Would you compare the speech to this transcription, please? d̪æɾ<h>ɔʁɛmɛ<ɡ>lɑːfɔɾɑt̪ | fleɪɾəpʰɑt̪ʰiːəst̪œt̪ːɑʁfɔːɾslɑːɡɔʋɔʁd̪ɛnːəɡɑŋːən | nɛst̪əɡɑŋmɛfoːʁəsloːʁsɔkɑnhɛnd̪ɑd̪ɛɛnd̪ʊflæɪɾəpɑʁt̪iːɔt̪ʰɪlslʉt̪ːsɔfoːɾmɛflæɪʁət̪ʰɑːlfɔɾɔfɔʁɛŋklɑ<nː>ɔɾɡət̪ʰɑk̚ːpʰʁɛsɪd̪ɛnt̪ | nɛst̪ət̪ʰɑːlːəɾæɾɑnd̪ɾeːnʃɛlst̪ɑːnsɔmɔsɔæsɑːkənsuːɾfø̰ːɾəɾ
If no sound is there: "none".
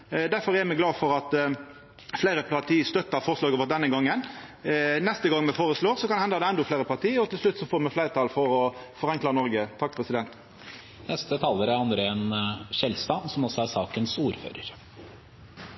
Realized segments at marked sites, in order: f, ɡ, n

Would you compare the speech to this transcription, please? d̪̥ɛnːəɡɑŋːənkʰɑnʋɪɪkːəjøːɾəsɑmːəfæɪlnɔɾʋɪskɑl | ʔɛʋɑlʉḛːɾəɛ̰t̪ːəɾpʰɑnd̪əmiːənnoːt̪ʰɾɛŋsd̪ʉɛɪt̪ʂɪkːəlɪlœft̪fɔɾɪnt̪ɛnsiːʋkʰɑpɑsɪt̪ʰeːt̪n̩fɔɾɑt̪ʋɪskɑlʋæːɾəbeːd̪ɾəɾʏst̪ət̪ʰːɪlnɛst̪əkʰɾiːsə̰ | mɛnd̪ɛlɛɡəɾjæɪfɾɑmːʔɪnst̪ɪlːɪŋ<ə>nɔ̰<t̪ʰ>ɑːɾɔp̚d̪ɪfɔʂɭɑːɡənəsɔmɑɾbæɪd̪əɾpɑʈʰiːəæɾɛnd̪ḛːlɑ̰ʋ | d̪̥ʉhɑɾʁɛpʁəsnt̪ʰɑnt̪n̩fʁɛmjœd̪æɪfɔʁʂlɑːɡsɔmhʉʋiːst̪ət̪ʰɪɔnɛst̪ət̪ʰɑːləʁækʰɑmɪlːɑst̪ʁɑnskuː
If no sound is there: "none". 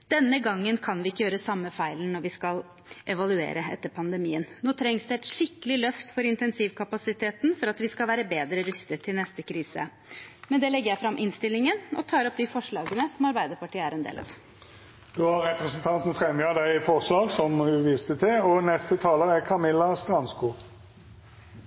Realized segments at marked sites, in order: ə, t̪ʰ

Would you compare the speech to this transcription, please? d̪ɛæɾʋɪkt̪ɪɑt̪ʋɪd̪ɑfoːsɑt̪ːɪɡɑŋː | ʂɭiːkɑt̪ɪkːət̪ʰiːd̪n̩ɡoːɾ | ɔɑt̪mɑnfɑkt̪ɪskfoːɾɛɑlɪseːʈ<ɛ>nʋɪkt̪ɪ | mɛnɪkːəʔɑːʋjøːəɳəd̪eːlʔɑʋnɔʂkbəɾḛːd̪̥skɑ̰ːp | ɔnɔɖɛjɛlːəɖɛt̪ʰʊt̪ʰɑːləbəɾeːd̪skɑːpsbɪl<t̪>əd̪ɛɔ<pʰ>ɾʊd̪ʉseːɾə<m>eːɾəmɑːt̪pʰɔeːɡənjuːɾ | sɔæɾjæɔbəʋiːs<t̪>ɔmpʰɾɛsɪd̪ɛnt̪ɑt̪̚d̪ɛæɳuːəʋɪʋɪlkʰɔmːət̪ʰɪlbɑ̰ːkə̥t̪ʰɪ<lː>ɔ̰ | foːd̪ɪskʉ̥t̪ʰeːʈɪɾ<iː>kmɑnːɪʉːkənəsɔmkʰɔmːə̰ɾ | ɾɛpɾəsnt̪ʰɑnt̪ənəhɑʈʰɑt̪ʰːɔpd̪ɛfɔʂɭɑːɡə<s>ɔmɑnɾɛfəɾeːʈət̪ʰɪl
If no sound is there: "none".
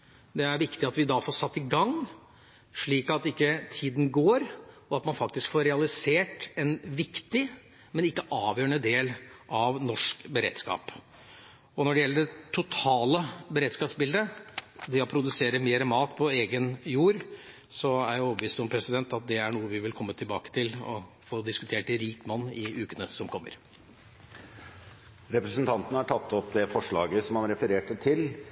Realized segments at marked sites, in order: ɛ, d̪, pʰ, m, t̪, l, iː, s

